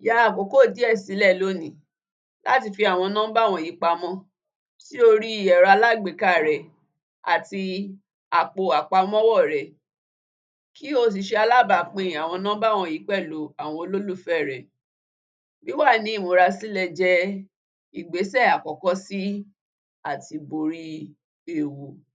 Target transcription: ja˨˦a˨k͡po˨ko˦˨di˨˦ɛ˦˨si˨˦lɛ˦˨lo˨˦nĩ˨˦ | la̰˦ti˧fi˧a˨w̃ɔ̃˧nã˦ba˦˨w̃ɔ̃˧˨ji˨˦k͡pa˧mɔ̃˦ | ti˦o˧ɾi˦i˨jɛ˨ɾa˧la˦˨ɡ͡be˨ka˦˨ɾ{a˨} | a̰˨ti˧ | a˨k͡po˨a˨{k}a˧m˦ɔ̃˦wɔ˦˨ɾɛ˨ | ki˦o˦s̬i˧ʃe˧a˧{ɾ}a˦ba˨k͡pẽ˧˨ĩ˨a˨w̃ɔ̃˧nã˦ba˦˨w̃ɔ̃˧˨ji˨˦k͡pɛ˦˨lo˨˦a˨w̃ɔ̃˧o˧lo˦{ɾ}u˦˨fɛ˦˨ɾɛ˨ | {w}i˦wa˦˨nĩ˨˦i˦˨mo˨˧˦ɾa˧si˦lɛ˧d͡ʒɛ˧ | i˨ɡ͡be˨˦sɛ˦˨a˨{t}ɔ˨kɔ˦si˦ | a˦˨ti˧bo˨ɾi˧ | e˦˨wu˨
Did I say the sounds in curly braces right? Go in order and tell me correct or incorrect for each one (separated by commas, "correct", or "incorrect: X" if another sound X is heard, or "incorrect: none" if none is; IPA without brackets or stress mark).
incorrect: ɛ˨, incorrect: k͡p, incorrect: l, incorrect: l, incorrect: b, incorrect: k